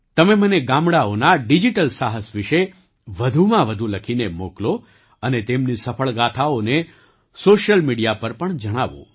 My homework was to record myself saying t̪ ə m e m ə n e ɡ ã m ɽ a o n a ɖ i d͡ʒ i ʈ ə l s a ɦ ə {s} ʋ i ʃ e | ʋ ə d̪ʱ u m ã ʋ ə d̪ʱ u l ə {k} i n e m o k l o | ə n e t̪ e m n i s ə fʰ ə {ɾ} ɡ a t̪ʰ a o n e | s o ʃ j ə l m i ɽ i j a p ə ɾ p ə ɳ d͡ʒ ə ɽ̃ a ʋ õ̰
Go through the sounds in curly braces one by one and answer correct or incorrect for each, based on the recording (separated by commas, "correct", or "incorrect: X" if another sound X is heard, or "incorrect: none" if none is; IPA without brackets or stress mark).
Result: correct, incorrect: kʰ, incorrect: ɭ